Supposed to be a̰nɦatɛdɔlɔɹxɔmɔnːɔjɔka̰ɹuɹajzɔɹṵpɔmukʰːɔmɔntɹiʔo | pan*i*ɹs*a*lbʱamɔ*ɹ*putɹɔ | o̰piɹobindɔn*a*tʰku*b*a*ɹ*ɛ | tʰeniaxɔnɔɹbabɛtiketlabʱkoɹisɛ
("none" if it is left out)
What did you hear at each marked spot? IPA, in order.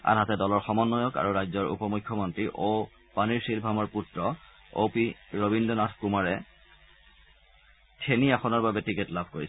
i, i, ɹ, a, m, ɹ

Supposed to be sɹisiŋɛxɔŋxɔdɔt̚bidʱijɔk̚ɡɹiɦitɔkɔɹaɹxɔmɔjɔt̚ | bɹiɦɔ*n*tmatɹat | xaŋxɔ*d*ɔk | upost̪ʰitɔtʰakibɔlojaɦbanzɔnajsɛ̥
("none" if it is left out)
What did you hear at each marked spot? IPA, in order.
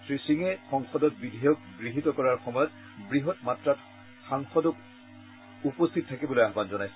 none, d

